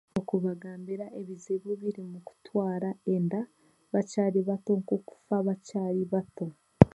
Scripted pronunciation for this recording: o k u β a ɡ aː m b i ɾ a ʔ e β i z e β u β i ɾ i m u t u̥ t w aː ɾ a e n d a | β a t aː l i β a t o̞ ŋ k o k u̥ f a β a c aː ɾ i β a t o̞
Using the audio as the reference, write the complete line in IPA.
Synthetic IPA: o k u β a ɡ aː m b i ɾ a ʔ e β i z e β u β i ɾ i m u k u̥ t w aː ɾ a e n d a | β a c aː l i β a t o̞ ŋ k o k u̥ f a β a c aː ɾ i β a t o̞